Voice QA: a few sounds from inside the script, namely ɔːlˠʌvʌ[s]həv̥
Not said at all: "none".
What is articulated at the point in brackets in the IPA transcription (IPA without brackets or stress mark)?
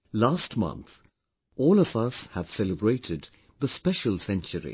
s